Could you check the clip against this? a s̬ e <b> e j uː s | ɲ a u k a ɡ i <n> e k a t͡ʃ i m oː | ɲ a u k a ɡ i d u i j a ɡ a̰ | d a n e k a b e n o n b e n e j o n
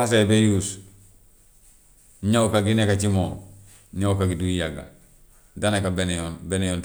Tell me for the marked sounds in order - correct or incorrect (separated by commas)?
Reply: correct, correct